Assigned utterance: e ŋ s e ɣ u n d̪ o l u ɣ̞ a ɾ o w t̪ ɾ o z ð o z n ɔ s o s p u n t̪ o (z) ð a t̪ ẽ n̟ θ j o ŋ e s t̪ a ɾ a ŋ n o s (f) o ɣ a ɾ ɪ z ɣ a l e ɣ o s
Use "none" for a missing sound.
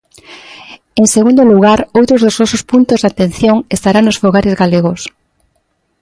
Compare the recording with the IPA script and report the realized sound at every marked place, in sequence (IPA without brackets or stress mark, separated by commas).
z, f